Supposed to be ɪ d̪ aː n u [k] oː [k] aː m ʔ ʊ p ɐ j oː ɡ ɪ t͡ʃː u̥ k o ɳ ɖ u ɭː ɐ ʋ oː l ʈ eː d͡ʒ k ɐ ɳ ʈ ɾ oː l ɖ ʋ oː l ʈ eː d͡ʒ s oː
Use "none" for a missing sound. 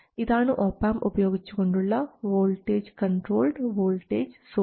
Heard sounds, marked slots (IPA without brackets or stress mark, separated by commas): ʔ, p